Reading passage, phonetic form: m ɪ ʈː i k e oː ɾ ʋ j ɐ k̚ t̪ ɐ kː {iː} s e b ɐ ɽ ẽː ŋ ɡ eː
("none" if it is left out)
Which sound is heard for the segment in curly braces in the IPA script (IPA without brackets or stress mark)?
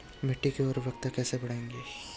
ɛː